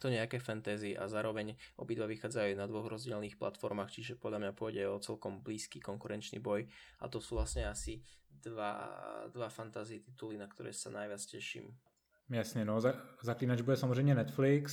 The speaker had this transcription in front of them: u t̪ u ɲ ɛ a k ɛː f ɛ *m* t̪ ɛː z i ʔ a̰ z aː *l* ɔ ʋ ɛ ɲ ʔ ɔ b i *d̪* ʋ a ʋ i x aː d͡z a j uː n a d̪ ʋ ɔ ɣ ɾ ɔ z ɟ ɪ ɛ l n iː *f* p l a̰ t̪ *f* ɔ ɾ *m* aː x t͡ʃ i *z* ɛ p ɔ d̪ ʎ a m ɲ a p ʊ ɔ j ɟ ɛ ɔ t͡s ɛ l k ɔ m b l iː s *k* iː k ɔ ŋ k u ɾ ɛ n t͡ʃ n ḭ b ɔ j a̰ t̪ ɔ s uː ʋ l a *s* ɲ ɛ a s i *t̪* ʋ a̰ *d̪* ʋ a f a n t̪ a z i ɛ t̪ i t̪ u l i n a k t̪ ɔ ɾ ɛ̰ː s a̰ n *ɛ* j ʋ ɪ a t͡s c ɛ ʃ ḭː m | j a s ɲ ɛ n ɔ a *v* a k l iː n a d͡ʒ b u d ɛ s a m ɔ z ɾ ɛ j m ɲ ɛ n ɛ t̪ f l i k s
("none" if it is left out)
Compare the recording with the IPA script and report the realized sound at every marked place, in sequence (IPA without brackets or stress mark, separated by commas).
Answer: n, ɾ, d̪, x, f, m, ʒ, k, s, d̪, d̪, a, z